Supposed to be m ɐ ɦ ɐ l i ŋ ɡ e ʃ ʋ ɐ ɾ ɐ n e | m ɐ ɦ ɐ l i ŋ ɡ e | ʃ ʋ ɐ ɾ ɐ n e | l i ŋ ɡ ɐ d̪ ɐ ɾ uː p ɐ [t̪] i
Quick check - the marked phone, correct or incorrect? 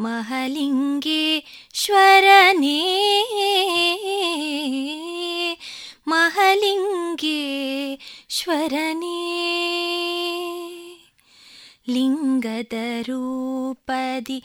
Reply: incorrect